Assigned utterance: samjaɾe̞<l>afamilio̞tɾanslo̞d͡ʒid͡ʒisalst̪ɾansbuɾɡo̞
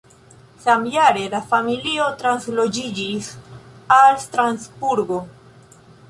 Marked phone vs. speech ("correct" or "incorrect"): correct